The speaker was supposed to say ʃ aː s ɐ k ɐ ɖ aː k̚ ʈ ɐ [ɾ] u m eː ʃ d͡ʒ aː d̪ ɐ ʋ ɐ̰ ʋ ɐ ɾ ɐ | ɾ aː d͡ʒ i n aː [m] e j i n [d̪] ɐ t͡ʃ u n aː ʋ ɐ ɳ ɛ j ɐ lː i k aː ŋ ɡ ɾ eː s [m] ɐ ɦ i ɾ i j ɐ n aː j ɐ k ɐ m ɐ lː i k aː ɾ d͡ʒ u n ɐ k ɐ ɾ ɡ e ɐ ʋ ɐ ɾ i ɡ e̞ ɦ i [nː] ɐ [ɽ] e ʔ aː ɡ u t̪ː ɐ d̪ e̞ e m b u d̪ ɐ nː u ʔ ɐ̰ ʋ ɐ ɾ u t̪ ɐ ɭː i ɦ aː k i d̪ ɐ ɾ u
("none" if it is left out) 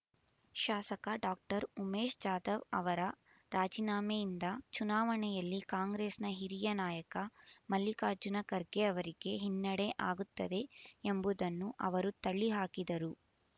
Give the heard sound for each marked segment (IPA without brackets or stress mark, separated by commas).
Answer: ɾ, m, d̪, n, nː, ɽ